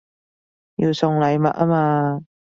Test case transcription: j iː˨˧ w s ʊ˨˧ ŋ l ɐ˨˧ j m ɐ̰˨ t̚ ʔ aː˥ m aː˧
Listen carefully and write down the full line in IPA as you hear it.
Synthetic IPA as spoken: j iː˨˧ w s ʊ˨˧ ŋ l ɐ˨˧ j m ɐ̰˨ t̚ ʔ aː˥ m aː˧